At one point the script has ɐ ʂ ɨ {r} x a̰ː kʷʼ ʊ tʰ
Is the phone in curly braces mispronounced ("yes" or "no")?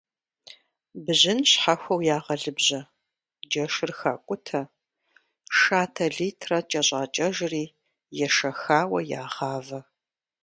no